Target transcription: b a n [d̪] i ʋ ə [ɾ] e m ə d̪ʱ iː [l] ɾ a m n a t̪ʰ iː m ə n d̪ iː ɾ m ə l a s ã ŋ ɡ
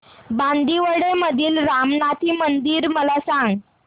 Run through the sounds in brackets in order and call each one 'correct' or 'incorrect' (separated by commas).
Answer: correct, incorrect, correct